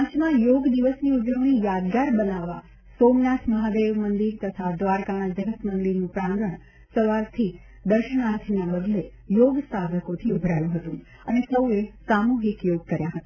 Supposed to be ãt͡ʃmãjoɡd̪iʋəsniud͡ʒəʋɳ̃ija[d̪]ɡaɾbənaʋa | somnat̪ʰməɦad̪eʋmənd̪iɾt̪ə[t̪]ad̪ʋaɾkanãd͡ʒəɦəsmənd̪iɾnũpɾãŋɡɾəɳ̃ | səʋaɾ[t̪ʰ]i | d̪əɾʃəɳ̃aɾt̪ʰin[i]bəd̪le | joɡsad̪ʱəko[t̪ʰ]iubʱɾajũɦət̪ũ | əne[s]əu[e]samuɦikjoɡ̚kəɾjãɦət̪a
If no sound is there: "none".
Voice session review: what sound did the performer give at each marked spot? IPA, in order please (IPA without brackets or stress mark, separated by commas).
d̪, t̪ʰ, t̪ʰ, a, t̪ʰ, s, e